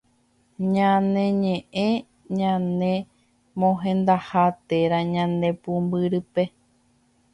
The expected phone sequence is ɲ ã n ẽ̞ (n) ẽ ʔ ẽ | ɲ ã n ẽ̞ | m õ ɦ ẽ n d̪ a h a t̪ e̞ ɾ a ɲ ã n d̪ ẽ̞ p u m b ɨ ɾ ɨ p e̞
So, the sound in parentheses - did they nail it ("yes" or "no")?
no